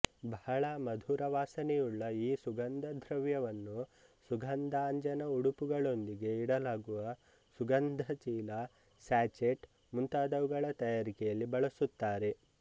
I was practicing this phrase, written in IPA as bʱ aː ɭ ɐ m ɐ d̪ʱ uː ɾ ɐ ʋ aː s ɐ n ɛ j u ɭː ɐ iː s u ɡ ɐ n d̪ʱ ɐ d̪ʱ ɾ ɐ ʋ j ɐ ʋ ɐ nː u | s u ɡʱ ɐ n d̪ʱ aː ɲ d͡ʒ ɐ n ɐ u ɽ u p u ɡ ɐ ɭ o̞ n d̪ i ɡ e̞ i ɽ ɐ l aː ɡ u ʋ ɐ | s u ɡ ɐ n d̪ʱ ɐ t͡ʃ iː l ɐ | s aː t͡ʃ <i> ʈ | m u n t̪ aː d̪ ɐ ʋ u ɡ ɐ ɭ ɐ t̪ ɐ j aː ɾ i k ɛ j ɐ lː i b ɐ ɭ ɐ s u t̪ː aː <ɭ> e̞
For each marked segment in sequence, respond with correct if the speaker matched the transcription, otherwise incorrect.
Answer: incorrect: e, incorrect: ɾ

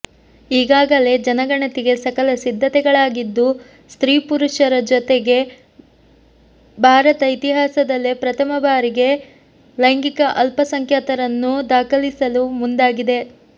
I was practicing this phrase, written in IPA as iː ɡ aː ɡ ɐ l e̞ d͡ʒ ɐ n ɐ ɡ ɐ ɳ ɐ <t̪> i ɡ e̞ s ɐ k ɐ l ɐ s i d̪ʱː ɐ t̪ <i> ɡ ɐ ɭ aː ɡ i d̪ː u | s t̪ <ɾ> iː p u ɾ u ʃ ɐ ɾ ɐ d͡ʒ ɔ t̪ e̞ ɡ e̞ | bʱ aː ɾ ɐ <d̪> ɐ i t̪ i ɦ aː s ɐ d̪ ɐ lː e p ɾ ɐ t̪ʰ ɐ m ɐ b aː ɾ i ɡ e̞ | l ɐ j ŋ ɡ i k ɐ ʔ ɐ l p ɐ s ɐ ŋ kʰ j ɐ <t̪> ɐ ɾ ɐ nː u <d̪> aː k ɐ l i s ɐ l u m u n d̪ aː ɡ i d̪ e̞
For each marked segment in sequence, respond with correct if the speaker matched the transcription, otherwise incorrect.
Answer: correct, incorrect: ɛ, correct, incorrect: t̪, correct, correct

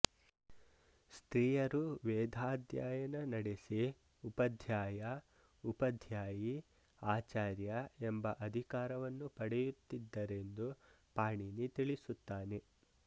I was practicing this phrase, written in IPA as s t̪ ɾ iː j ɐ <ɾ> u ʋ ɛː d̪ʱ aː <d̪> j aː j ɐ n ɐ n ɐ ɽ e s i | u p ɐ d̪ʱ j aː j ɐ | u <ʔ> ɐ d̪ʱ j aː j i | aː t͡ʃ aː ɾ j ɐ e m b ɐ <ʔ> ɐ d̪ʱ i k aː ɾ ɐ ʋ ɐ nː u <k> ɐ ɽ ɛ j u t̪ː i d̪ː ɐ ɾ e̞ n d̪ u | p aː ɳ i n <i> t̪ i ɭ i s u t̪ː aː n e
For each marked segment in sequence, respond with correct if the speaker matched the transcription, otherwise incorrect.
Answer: correct, correct, incorrect: p, correct, incorrect: p, correct

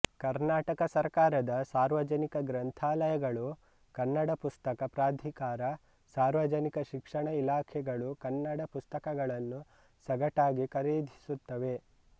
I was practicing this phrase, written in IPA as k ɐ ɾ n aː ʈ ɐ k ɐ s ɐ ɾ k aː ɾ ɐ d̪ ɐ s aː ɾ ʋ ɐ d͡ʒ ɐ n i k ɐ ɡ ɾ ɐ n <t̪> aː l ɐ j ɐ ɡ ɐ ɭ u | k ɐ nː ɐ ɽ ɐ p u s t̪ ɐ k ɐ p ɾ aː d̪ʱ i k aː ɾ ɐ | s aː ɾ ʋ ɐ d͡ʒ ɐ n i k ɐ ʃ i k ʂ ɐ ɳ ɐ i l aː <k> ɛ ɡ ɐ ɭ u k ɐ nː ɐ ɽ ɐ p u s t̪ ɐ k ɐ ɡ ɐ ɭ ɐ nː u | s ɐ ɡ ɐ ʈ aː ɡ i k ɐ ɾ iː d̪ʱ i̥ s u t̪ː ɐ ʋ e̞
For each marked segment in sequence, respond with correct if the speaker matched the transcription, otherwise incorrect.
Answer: incorrect: t̪ʰ, incorrect: kʰ

